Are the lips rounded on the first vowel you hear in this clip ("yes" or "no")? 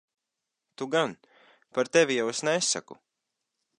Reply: yes